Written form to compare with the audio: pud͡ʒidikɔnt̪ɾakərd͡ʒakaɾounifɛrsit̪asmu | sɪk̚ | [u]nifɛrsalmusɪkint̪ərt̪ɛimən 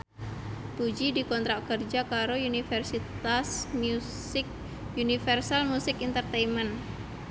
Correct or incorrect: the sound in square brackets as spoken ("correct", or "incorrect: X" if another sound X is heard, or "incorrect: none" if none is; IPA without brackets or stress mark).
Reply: correct